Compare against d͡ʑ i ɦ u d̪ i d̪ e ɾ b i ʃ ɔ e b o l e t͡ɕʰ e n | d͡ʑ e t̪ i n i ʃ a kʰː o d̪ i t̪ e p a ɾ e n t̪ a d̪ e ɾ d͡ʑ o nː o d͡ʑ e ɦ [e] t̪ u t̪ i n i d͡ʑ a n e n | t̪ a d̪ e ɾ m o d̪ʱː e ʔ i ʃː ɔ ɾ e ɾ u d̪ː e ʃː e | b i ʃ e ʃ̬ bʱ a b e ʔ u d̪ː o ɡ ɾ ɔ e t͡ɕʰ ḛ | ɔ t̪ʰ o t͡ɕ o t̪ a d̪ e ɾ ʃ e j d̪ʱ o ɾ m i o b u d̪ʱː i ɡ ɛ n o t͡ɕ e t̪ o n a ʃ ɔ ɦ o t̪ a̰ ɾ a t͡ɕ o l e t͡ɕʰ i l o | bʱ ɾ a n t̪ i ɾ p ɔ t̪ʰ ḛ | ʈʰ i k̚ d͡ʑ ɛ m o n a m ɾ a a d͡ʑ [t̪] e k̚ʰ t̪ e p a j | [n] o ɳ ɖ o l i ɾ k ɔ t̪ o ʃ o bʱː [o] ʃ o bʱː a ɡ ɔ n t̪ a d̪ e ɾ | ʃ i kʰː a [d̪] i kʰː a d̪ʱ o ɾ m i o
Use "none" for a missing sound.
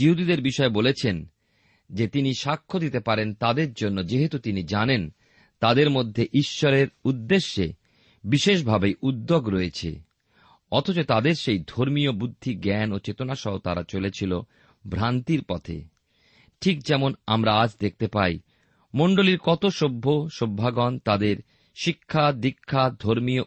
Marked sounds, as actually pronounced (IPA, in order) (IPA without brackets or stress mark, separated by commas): e, d̪, m, o, d̪